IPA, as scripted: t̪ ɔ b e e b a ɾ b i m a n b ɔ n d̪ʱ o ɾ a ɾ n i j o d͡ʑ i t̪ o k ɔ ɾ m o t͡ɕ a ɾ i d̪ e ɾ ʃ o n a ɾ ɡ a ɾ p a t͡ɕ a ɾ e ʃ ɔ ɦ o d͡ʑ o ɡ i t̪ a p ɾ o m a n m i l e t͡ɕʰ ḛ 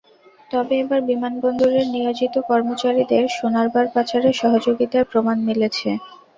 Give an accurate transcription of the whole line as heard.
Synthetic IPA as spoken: t̪ ɔ b e e b a ɾ b i m a n b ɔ n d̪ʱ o ɾ e ɾ n i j o d͡ʑ i t̪ o k ɔ ɾ m o t͡ɕ a ɾ i d̪ e ɾ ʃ o n a ɾ b a ɾ p a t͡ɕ a ɾ e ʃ ɔ ɦ o d͡ʑ o ɡ i t̪ a p ɾ o m a n m i l e t͡ɕʰ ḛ

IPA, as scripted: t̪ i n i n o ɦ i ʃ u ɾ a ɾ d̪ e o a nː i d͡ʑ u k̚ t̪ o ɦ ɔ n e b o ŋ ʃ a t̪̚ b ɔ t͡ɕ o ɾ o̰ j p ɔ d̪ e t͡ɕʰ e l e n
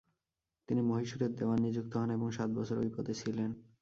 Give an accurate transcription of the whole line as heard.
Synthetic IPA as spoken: t̪ i n i m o ɦ i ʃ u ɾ e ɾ d̪ e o a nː i d͡ʑ u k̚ t̪ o ɦ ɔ n e b o ŋ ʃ a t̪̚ b ɔ t͡ɕʰ o ɾ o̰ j p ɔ d̪ e t͡ɕʰ i l e n

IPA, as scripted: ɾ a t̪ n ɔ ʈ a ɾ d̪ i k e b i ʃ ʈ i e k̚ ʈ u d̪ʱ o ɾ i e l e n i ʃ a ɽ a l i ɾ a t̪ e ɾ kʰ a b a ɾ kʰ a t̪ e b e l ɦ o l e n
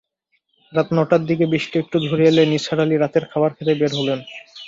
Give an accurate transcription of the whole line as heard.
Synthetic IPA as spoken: ɾ a t̪ n ɔ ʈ a ɾ d̪ i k e b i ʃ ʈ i e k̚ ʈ u d̪ʱ o ɾ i e l e n i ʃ a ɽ a l i ɾ a t̪ e ɾ kʰ a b a ɾ kʰ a t̪ e b e ɾ ɦ o l e n

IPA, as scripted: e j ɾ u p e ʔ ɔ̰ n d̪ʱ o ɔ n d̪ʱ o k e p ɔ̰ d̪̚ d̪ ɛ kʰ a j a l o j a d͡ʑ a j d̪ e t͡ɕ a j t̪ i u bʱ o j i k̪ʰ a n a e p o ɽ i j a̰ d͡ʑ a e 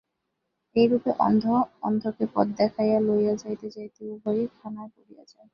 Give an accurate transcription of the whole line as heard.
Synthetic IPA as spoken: e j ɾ u p e ʔ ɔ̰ n d̪ʱ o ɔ n d̪ʱ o k e p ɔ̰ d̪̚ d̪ ɛ kʰ a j a l o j a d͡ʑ a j t̪ e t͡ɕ a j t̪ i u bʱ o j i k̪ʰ a n a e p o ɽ i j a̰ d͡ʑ a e

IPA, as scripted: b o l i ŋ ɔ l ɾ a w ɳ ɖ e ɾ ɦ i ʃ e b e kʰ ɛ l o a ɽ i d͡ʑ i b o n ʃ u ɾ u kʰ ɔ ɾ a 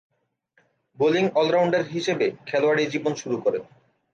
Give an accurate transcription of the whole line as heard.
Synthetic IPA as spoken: b o l i ŋ ɔ l ɾ a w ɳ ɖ e ɾ ɦ i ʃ e b e kʰ ɛ l o a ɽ i d͡ʑ i b o n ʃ u ɾ u k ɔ ɾ e

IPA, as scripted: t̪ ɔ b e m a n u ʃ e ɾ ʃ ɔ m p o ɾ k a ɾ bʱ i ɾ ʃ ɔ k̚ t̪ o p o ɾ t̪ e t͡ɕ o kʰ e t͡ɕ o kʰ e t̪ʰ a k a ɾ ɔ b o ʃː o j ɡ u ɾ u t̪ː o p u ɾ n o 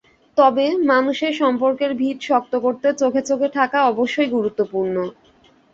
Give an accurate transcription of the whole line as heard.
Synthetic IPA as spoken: t̪ ɔ b e m a n u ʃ e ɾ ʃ ɔ m p o ɾ k e ɾ bʱ i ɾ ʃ ɔ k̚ t̪ o k o ɾ t̪ e t͡ɕ o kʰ e t͡ɕ o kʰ e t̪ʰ a k a ɔ b o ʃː o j ɡ u ɾ u t̪ː o p u ɾ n o

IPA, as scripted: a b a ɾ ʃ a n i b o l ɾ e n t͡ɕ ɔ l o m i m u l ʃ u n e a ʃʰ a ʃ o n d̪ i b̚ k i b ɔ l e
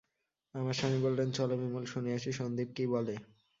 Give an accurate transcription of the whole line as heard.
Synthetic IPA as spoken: a m a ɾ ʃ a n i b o l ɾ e n t͡ɕ ɔ l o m i m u l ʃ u n e a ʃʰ i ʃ o n d̪ i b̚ k i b ɔ l e

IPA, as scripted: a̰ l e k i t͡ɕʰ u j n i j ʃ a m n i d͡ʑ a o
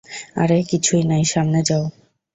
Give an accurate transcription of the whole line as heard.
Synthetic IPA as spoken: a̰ ɾ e k i t͡ɕʰ u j n a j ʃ a m n e d͡ʑ a o

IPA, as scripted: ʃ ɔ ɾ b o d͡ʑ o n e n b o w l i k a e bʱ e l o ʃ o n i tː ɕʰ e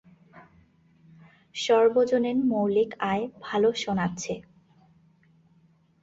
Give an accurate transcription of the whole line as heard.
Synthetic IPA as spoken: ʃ ɔ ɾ b o d͡ʑ o n e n m o w l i k a e bʱ a l o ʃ o n a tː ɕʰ e

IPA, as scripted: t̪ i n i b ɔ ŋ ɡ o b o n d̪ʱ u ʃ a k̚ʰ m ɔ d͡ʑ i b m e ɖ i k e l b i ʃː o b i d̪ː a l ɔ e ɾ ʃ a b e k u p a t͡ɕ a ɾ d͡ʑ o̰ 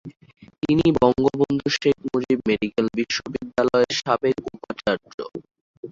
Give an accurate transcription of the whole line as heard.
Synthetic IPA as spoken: t̪ i n i b ɔ ŋ ɡ o b o n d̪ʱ u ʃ e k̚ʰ m o d͡ʑ i b m e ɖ i k e l b i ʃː o b i d̪ː a l ɔ e ɾ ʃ a b e k u p a t͡ɕ a ɾ d͡ʑ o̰

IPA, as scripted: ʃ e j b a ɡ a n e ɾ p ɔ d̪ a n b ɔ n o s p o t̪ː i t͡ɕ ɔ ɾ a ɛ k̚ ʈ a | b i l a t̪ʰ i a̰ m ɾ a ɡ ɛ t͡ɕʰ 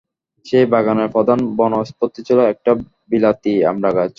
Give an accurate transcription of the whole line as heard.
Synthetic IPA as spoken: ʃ e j b a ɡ a n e ɾ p ɔ d̪ a n b ɔ n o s p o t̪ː i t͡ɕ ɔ l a ɛ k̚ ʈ a | b i l a t̪ i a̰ m ɾ a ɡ a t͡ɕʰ

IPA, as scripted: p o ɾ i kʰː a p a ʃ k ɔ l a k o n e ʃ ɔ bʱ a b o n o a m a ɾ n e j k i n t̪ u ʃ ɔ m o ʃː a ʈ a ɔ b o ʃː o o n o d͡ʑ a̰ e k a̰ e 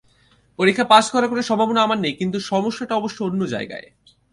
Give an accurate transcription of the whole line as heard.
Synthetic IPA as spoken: p o ɾ i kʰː a p a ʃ k ɔ ɾ a k o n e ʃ ɔ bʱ a b o n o a m a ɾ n e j k i n t̪ u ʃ ɔ m o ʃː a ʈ a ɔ b o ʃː o o nː o d͡ʑ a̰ e ɡ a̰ e

